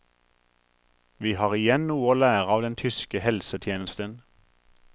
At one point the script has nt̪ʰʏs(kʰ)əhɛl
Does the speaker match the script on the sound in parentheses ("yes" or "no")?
no